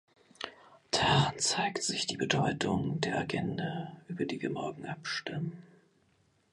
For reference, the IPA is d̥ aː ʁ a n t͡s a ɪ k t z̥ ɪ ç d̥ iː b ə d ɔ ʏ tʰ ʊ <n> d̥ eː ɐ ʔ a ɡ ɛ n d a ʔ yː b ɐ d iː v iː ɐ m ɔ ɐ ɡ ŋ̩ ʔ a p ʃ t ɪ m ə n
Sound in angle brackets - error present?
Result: yes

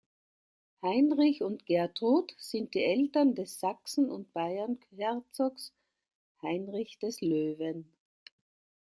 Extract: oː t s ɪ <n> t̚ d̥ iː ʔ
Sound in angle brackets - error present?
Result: no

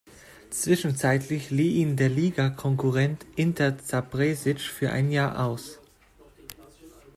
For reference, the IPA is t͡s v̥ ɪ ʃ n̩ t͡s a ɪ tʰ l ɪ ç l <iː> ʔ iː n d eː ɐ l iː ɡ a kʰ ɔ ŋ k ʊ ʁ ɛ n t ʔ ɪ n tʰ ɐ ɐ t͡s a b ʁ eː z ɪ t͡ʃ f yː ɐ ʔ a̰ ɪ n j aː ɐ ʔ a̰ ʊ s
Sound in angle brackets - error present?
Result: no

